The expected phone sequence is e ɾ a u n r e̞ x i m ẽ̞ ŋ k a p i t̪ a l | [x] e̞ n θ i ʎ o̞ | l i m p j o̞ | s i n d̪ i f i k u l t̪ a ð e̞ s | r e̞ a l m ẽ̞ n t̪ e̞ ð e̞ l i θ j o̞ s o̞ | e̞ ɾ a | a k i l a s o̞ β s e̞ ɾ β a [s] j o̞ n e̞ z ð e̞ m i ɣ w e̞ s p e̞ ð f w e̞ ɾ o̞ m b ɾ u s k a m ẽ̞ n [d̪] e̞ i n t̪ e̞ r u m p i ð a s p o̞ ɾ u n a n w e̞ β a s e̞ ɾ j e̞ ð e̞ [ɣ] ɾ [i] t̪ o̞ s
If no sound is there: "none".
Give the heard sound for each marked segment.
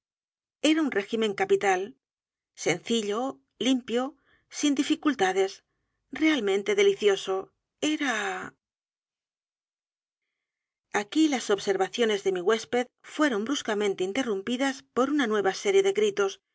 s, θ, t̪, ɣ, i

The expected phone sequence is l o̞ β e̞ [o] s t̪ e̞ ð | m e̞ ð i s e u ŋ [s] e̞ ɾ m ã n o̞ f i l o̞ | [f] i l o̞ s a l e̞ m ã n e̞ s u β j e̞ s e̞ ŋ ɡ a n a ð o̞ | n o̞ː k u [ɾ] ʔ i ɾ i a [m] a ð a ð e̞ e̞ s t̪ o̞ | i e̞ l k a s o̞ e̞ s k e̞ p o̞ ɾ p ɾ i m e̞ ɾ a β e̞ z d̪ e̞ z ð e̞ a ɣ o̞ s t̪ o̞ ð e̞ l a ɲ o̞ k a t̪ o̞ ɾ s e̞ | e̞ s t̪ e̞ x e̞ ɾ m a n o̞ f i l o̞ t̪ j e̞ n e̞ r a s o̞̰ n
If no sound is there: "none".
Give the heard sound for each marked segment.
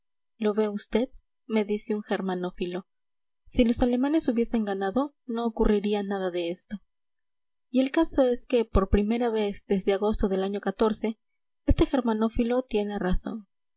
u, x, s, r, n

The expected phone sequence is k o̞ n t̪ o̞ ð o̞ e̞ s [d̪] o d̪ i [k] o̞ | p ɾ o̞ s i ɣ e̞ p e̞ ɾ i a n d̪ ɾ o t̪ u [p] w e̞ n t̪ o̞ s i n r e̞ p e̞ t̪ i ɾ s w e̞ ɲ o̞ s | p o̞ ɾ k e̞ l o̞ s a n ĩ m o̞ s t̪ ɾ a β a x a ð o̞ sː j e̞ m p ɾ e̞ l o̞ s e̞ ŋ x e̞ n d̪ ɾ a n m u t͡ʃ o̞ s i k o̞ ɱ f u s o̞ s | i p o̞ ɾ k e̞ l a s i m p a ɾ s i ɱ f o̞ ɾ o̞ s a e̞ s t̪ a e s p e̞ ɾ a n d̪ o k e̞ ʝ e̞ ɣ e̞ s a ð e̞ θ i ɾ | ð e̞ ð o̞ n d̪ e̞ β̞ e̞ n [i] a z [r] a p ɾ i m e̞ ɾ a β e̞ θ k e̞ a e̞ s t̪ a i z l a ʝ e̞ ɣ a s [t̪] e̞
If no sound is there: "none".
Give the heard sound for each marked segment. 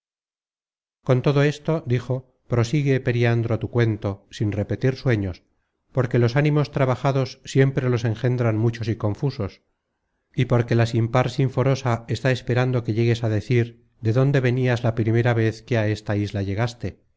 t̪, x, k, i, l, t̪

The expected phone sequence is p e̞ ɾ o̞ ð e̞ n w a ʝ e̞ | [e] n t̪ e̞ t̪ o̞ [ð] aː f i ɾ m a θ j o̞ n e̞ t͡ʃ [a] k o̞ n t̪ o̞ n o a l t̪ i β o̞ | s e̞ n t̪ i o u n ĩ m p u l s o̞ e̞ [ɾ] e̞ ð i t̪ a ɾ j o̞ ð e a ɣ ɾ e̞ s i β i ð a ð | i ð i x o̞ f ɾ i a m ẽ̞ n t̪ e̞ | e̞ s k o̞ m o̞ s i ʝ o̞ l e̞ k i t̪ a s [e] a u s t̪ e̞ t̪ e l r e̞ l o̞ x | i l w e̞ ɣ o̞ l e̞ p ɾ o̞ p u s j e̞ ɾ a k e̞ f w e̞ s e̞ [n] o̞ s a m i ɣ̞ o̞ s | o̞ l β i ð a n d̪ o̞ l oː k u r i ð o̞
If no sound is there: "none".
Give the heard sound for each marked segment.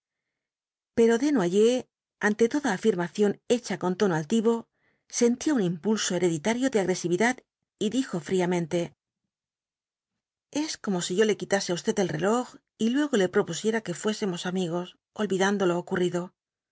a, ð, a, ɾ, e, m

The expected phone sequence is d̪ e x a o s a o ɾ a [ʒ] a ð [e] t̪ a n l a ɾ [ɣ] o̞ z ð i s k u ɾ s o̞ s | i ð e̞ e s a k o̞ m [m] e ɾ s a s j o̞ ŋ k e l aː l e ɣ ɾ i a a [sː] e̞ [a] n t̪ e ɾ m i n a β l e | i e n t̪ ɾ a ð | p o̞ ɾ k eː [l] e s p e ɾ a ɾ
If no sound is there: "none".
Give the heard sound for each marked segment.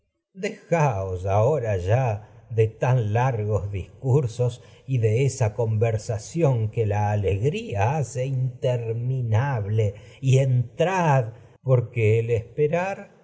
ʒ, e, ɣ, b, s, i, l

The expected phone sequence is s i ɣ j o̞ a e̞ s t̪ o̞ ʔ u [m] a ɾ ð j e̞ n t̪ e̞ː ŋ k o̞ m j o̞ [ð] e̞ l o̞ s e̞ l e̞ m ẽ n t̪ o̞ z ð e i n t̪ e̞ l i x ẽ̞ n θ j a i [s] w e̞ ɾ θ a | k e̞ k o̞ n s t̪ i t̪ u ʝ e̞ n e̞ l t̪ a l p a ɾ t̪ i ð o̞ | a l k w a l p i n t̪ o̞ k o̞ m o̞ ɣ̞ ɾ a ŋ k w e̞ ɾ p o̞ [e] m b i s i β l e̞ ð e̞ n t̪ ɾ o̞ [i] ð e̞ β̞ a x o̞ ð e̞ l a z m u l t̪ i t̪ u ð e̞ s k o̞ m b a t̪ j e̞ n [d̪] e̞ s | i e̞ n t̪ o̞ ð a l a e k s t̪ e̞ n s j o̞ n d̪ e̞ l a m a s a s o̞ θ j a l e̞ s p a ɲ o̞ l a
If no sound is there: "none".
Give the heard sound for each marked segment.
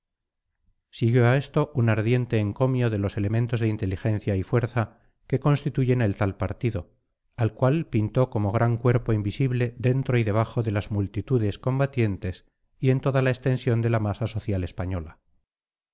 n, ð, f, i, i, t̪

